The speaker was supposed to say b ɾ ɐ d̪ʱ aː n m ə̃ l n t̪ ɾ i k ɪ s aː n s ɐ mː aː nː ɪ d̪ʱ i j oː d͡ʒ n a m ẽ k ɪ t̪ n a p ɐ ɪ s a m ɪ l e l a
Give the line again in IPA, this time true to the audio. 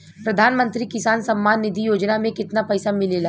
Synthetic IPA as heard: p ɾ ɐ d̪ʱ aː n m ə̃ n t̪ ɾ i k ɪ s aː n s ɐ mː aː nː ɪ d̪ʱ i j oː d͡ʒ n a m ẽ k ɪ t̪ n a p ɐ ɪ s a m ɪ l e l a